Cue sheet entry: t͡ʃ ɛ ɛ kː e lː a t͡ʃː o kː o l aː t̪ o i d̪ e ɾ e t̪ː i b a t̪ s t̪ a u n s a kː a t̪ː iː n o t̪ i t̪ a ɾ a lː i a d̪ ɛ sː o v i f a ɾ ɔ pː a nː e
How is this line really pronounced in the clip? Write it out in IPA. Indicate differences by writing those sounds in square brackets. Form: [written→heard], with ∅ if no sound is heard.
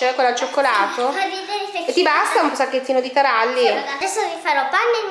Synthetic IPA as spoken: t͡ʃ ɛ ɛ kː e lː a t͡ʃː o kː o l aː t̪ o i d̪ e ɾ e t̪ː i b a [t̪→∅] s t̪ a u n s a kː [a→e] t̪ː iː n o [t̪→d̪] i t̪ a ɾ a lː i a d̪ ɛ sː o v i f a ɾ ɔ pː a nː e

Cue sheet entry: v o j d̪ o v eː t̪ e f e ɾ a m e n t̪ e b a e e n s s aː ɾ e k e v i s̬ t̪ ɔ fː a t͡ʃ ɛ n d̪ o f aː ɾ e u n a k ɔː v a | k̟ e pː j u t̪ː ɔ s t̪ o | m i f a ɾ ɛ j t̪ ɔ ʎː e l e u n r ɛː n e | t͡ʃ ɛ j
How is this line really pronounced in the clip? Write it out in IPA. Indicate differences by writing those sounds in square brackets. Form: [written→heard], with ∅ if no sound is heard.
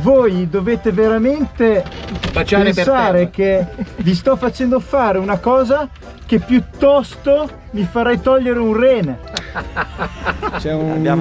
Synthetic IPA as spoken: v o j d̪ o v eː t̪ e [f→v] e ɾ a m e n t̪ e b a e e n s s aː ɾ e k e v i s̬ t̪ ɔ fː a t͡ʃ ɛ n d̪ o f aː ɾ e u n a k ɔː [v→z] a | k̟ e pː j u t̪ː ɔ s t̪ o | m i f a ɾ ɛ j t̪ ɔ ʎː e [l→ɾ] e u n r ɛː n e | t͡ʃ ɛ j

